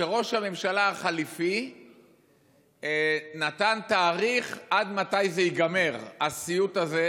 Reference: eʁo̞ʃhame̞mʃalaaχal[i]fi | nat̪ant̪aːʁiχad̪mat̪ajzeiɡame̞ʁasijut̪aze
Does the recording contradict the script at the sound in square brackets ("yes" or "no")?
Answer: no